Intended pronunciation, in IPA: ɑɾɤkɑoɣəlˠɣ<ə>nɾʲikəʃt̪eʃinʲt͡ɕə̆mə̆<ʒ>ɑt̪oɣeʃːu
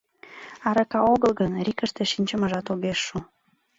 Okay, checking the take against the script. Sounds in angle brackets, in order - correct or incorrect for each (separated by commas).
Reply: correct, correct